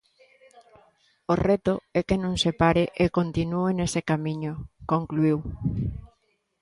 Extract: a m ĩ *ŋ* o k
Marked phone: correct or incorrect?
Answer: incorrect